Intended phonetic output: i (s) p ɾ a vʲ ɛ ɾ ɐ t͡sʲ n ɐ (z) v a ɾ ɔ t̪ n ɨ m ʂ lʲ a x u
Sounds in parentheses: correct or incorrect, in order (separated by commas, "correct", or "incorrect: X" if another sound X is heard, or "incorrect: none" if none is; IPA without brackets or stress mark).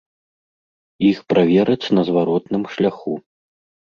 incorrect: x, correct